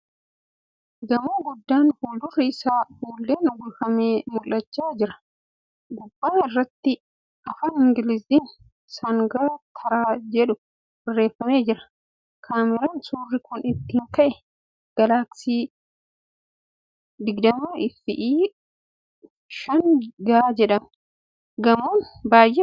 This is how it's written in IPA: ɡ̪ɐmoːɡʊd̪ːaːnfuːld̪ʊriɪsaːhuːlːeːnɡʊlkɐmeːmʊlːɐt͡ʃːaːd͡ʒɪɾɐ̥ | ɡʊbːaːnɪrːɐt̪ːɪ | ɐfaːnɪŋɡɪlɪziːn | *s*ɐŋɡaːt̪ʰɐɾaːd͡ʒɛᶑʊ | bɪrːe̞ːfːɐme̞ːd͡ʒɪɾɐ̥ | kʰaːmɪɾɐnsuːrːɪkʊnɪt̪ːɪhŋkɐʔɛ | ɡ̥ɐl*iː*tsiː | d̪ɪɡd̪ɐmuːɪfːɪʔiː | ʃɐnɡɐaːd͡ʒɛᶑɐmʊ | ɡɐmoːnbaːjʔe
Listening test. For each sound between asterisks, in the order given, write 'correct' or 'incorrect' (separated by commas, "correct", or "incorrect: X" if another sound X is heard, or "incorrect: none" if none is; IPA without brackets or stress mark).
correct, incorrect: aː